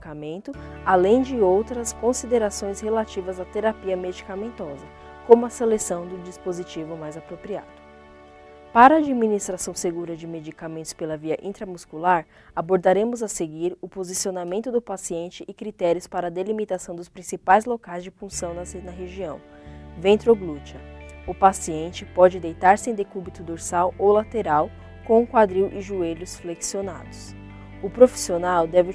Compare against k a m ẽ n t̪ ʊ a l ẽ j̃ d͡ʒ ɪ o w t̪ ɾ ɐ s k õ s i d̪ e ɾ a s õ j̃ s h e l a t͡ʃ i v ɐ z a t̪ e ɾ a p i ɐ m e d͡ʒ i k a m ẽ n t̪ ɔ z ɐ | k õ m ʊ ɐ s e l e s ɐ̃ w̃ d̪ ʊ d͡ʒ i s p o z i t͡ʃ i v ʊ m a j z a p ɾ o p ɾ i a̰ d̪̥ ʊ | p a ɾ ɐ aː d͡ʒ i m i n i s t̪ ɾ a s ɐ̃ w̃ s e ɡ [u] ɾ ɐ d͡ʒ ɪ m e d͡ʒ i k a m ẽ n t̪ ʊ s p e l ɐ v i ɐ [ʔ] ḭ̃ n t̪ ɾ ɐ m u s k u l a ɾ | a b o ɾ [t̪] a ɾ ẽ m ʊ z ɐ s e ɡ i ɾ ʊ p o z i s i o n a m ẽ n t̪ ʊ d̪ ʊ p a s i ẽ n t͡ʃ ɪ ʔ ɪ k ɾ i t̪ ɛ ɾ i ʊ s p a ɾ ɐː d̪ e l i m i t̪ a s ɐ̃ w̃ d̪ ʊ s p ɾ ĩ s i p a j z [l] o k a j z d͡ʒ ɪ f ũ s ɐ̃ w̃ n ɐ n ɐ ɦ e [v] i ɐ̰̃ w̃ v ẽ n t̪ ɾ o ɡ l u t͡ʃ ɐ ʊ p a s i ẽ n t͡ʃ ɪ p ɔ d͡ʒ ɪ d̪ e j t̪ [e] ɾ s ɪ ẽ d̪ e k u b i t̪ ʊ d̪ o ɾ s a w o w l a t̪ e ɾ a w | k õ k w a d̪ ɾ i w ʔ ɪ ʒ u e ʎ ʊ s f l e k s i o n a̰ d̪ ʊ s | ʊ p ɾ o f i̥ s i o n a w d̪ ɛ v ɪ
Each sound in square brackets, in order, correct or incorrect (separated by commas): correct, correct, incorrect, correct, incorrect, incorrect